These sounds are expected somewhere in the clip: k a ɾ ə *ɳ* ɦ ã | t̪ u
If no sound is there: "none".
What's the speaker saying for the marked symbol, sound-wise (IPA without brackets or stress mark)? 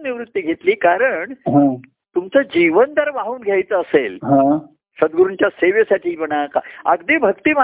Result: ɳ